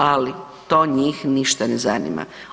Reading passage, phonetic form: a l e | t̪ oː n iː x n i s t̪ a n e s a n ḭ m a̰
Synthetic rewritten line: a l i | t̪ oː ɲ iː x n i ʃ t̪ a n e z a n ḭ m a̰